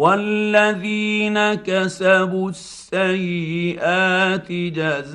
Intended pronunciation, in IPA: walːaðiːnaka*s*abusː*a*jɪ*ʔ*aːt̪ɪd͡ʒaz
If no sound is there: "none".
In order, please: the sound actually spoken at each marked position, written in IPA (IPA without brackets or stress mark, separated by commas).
s, a, ʔ